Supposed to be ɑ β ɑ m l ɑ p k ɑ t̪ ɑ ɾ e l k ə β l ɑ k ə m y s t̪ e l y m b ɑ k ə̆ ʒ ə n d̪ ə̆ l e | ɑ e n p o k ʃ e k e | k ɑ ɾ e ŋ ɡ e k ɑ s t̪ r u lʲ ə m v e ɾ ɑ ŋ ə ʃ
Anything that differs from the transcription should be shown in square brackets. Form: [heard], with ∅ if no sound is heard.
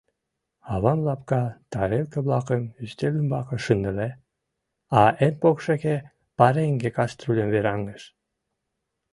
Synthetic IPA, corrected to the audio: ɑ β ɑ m l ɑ p k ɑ t̪ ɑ ɾ e l k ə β l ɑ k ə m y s t̪ e l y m b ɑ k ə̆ [ʃ] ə n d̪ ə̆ l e | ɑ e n p o k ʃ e k e | [p] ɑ ɾ e ŋ ɡ e k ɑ s t̪ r u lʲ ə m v e ɾ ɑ ŋ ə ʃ

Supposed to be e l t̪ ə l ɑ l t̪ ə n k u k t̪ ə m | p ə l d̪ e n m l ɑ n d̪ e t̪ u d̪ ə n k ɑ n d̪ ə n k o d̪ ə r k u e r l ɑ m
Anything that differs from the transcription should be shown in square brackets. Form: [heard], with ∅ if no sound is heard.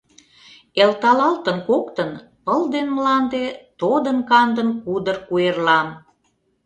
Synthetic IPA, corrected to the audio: e l t̪ [ɑ] l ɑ l t̪ ə n k [o] k t̪ ə [n] | p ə l d̪ e n m l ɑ n d̪ e t̪ [o] d̪ ə n k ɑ n d̪ ə n k [u] d̪ ə r k u e r l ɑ m

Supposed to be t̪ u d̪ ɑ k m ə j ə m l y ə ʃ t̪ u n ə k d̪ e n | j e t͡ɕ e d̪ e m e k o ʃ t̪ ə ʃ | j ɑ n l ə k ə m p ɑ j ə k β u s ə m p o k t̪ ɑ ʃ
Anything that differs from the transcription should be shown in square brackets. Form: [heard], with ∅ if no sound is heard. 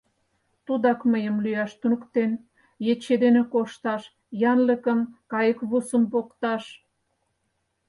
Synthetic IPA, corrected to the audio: t̪ u d̪ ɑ k m ə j ə m l y [ɑ] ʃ t̪ u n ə k [t̪] e n | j e t͡ɕ e d̪ e [n] e k o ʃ t̪ [ɑ] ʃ | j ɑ n l ə k ə m [k] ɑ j ə k β u s ə m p o k t̪ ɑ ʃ

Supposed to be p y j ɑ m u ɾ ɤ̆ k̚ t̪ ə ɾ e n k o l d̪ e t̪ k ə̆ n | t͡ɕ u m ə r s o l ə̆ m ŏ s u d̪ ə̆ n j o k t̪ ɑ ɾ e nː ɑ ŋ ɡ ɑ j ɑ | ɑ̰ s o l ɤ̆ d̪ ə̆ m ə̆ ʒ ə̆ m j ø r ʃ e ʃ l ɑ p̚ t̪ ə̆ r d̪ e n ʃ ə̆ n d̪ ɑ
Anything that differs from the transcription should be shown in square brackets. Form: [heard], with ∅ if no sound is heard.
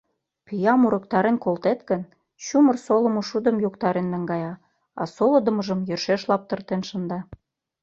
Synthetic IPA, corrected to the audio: p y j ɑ m u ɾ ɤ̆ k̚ t̪ [ɑ] ɾ e n k o l [t̪] e t̪ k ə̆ n | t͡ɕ u m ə r s o l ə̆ m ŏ [ʃ] u d̪ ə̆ [m] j o k t̪ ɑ ɾ e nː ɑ ŋ ɡ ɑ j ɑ | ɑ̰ s o l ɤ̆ d̪ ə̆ m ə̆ ʒ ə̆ m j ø r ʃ e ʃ l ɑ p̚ t̪ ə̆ r [t̪] e n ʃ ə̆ n d̪ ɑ

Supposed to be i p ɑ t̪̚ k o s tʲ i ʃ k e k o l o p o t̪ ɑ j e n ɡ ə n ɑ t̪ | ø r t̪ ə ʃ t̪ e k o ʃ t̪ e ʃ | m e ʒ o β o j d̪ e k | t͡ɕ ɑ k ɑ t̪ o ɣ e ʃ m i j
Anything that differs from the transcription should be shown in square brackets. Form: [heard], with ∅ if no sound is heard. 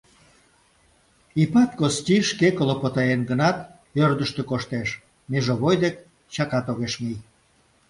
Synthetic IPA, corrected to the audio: i p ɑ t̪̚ k o s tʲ i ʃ k e k o l o p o t̪ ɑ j e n ɡ ə n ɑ t̪ | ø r [d̪] ə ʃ t̪ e k o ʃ t̪ e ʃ | m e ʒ o β o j d̪ e k | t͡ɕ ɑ k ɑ t̪ o ɣ e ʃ m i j

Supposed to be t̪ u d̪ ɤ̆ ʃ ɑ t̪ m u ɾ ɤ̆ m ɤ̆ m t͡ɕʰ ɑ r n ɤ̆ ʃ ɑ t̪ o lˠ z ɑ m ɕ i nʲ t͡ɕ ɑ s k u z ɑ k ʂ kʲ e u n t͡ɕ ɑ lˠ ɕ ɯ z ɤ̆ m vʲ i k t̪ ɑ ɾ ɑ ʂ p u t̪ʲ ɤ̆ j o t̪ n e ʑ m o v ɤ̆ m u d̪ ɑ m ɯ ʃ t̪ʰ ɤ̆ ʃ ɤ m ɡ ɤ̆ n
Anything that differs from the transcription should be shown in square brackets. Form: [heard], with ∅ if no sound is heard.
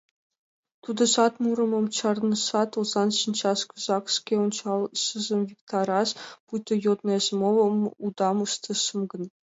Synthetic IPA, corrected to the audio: t̪ u d̪ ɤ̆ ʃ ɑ t̪ m u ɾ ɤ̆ m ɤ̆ m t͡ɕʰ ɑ r n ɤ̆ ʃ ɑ t̪ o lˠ z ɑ [n] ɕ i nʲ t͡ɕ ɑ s k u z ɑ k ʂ kʲ e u n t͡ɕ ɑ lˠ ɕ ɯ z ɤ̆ m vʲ i k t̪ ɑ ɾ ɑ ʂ p u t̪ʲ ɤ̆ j o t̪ n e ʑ m o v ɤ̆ m u d̪ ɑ m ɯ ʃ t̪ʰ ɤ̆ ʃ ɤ m ɡ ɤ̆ n

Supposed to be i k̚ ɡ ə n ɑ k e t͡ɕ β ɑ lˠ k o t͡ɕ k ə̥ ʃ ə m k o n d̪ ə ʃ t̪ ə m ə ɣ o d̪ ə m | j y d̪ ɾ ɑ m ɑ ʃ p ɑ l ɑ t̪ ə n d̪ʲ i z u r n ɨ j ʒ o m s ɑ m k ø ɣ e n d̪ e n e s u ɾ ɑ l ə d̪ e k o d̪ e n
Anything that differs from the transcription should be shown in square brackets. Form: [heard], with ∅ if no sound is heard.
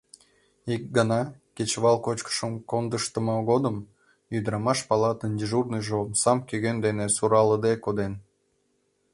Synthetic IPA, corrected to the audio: i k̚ ɡ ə n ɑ k e t͡ɕ β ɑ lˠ k o t͡ɕ k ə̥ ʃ ə m k o n d̪ ə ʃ t̪ ə m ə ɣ o d̪ ə m | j y d̪ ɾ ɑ m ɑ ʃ p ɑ l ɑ t̪ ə n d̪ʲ i [ʒ] u r n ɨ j ʒ o m s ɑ m k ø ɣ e n d̪ e n e s u ɾ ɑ l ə d̪ e k o d̪ e n

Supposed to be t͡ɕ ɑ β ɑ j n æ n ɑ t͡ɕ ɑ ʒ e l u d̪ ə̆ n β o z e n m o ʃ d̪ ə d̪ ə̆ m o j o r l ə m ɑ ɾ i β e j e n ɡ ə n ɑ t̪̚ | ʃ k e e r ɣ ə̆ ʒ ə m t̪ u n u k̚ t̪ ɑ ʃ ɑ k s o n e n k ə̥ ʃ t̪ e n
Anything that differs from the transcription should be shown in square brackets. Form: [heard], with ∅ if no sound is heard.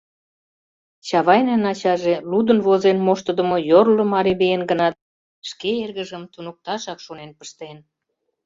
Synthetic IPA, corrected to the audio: t͡ɕ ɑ β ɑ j n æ n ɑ t͡ɕ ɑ ʒ e l u d̪ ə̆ n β o z e n m o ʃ [t̪] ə d̪ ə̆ m o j o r l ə m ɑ ɾ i β e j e n ɡ ə n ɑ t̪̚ | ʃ k e e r ɣ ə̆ ʒ ə m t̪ u n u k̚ t̪ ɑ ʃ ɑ k [ʃ] o n e n [p] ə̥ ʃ t̪ e n

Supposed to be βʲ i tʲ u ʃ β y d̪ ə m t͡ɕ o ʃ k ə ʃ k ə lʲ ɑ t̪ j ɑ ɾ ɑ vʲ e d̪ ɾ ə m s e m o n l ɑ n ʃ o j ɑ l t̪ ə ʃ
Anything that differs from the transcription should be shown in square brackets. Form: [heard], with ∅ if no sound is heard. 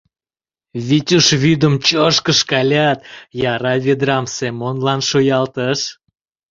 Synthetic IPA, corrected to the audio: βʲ i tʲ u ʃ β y d̪ ə m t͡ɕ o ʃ k ə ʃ k [ɑ] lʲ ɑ t̪ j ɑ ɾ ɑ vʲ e d̪ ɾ [ɑ] m s e m o n l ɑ n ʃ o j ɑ l t̪ ə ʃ

